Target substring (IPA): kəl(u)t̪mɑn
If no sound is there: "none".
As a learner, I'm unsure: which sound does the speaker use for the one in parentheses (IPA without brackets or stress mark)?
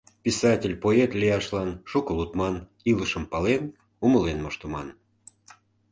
u